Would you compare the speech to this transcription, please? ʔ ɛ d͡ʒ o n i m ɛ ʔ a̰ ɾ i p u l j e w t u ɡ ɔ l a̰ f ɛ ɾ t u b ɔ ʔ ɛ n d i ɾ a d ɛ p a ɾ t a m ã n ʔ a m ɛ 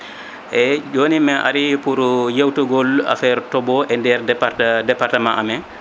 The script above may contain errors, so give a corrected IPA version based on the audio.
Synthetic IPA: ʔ ɛ d͡ʒ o n i m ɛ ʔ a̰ ɾ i p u ɾ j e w t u ɡ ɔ l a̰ f ɛ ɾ t ɔ b ɔ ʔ ɛ n d ɛ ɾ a d ɛ p a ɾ t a m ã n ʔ a m ɛ